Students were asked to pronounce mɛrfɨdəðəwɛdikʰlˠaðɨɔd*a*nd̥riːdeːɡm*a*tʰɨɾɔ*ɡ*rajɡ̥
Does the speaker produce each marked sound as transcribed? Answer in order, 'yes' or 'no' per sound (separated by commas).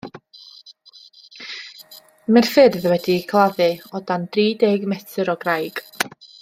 yes, no, yes